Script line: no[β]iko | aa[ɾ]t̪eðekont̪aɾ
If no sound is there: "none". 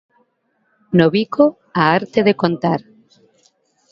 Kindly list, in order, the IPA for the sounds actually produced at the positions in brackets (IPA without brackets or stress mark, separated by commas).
β, ɾ